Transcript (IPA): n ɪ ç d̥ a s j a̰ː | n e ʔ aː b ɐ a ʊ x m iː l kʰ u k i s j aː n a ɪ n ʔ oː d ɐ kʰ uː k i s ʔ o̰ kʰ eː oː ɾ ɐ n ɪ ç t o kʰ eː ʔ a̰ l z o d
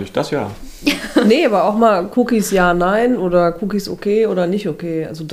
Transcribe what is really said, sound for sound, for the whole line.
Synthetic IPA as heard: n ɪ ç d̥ a s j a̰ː | n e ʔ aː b ɐ a ʊ x m aː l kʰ u k i s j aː n a ɪ n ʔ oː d ɐ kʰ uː k i s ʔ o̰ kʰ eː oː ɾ ɐ n ɪ ç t o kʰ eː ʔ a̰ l z o d